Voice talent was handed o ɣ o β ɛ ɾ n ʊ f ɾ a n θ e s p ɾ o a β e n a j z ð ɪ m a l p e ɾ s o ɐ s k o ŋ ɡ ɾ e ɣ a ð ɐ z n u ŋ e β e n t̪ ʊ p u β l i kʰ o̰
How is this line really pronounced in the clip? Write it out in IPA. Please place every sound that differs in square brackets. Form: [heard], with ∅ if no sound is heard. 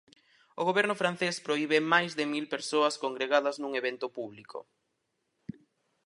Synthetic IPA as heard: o ɣ o β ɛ ɾ n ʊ f ɾ a n θ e s p ɾ o [i] β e [m] a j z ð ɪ m [i] l p e ɾ s o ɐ s k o ŋ ɡ ɾ e ɣ a ð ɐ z n u ŋ e β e n t̪ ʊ p u β l i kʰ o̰